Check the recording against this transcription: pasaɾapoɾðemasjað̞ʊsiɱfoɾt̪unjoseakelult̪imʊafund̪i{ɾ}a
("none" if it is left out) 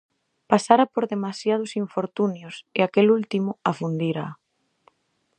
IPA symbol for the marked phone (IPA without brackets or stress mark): ɾ